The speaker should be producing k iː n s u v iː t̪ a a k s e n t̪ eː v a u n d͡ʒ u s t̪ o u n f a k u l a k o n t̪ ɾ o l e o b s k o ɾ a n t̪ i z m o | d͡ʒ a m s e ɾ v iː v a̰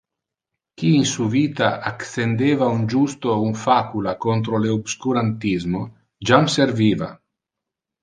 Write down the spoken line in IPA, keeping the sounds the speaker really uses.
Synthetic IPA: k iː n s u v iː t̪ a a k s e n d̪ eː v a u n d͡ʒ u s t̪ o u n f a k u l a k o n t̪ ɾ o l e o b s k u ɾ a n t̪ i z m o | d͡ʒ a m s e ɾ v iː v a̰